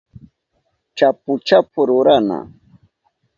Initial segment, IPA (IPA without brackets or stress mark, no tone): t͡ʃ